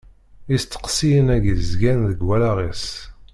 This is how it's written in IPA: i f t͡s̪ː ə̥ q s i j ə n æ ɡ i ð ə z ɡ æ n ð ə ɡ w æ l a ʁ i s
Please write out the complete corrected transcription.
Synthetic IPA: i s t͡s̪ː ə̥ q s i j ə n æ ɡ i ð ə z ɡ æ n ð ə ɡ w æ l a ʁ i s

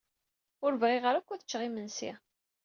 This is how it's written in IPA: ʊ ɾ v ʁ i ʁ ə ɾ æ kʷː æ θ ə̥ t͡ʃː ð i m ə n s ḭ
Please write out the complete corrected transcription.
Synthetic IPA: ʊ ɾ v ʁ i ʁ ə ɾ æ kʷː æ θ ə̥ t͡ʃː ʁ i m ə n s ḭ

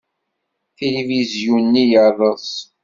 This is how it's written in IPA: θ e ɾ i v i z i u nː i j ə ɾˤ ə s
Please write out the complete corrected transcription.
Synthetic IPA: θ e l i v i z j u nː i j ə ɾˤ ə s

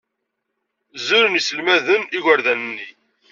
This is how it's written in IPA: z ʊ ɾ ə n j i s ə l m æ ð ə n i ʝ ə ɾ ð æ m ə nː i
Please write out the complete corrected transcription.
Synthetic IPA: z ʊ ɾ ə n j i s ə l m æ ð ə n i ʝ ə ɾ ð æ n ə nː i

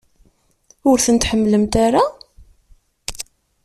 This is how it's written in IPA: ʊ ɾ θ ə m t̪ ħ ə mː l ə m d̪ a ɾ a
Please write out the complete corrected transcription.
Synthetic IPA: ʊ ɾ θ ə n t̪ ħ ə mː l ə m t̪ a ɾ a

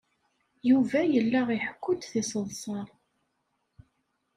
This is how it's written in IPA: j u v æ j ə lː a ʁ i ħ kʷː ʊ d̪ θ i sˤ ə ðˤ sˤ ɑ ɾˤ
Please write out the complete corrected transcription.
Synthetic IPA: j u v æ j ə lː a ʁ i ħ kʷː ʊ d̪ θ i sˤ ə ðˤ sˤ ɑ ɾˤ

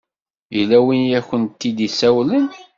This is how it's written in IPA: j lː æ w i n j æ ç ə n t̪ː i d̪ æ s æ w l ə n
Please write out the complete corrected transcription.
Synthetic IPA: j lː æ w i n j æ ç ə n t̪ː i d̪ i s æ w l ə n

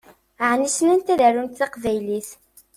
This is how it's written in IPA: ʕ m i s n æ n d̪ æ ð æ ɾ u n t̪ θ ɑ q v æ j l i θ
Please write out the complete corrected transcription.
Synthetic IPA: ʕ n i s n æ n t̪ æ ð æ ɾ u n t̪ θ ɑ q v æ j l i θ

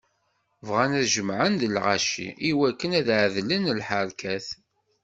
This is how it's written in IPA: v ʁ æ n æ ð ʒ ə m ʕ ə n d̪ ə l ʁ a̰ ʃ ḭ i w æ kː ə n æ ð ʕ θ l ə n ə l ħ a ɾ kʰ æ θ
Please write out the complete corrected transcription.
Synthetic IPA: v ʁ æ n æ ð ʒ ə m ʕ ə n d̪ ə l ʁ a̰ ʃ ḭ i w æ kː ə n æ ð ʕ ð l ə n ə l ħ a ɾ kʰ æ θ

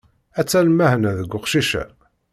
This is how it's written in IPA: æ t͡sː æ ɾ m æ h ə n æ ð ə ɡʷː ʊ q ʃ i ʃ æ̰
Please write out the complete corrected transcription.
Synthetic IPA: æ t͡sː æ l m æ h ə n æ ð ə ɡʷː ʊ q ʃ i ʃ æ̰

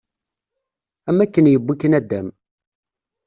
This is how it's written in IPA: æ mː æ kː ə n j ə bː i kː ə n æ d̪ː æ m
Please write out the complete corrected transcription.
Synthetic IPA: æ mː æ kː ə n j ə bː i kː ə n æ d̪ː æ m

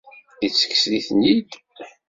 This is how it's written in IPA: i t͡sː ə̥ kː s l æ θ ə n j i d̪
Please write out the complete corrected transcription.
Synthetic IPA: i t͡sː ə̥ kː s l i θ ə n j i d̪

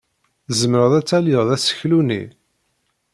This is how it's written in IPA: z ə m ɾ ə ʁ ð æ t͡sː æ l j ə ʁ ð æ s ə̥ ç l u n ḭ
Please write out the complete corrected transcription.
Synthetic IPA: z ə m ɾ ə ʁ ð æ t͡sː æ l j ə ʁ ð æ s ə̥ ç l u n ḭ

